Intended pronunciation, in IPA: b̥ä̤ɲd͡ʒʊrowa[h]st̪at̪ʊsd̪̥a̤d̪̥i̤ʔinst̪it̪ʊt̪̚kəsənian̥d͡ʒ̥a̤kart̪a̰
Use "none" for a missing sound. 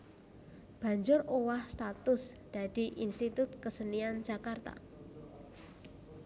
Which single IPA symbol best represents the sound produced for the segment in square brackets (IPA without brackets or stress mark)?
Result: h